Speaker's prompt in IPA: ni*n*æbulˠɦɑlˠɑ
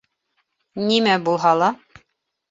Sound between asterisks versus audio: incorrect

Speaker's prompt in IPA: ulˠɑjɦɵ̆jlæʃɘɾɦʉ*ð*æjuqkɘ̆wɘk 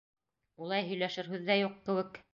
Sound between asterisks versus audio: incorrect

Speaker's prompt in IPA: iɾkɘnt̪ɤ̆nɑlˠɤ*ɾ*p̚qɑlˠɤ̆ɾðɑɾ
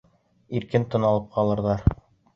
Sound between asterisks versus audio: incorrect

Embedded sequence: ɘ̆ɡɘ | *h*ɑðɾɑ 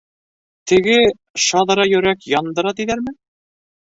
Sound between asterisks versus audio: incorrect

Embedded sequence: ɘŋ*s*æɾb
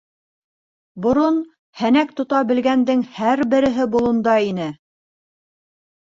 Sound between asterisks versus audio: incorrect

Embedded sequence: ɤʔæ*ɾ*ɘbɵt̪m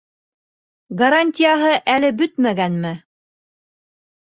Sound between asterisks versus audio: incorrect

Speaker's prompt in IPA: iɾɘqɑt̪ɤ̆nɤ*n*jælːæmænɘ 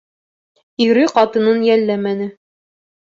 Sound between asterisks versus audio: correct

